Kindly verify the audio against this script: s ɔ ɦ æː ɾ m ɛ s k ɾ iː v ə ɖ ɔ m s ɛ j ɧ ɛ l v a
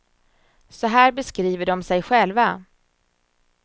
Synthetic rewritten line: s ɔ ɦ æː ɾ b ɛ s k ɾ iː v ə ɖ ɔ m s ɛ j ɧ ɛ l v a